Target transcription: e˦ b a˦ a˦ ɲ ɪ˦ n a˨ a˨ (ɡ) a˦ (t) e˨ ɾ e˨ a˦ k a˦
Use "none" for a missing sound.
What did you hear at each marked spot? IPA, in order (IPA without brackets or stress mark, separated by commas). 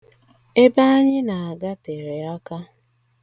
ɡ, t